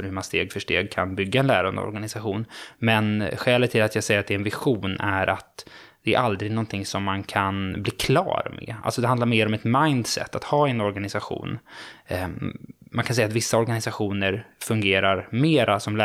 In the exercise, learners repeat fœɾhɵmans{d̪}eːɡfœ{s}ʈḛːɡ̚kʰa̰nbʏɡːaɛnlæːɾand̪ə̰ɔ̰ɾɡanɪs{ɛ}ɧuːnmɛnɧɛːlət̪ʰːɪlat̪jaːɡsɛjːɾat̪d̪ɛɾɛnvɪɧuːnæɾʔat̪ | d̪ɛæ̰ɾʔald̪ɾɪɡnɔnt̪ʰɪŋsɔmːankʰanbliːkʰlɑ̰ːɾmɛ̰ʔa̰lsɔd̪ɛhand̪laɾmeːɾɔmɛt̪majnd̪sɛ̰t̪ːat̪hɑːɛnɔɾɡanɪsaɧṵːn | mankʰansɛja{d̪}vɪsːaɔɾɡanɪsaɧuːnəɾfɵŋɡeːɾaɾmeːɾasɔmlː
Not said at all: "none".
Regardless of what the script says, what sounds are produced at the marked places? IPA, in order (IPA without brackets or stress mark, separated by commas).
t̪, ʂ, a, t̪